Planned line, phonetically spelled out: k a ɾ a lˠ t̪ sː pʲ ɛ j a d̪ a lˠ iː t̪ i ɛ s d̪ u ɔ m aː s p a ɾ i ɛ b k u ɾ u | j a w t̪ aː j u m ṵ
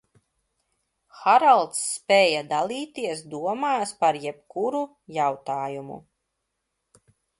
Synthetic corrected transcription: x a ɾ a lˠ t̪ sː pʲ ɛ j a d̪ a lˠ iː t̪ i ɛ s d̪ u ɔ m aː s p a ɾ j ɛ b k u ɾ u | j a w t̪ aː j u m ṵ